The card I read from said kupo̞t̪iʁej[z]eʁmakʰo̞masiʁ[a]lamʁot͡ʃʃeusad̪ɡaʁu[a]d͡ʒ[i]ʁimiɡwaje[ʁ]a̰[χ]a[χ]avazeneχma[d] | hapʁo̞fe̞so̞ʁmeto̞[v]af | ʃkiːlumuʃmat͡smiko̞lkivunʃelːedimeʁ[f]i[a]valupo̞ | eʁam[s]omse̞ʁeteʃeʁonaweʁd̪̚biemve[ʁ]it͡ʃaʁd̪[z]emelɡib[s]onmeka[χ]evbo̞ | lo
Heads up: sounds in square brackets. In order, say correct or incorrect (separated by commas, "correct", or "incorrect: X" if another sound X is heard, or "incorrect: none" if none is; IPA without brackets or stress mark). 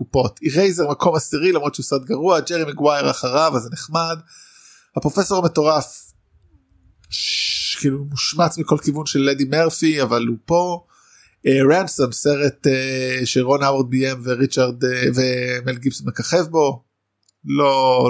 correct, incorrect: i, correct, incorrect: e, correct, correct, incorrect: ʁ, correct, incorrect: ʁ, correct, correct, correct, correct, incorrect: v, correct, correct